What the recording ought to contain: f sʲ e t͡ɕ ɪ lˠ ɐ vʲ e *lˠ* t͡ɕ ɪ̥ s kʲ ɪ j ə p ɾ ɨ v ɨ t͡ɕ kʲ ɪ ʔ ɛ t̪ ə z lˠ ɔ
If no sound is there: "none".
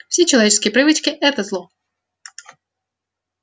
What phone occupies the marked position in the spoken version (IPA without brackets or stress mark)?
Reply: none